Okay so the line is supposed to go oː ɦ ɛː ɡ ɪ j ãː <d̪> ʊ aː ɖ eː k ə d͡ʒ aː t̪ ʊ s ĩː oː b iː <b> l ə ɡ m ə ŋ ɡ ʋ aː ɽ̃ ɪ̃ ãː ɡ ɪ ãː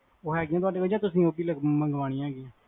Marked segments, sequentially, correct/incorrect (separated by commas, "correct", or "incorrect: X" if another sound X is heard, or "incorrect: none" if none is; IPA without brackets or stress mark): incorrect: t̪, incorrect: none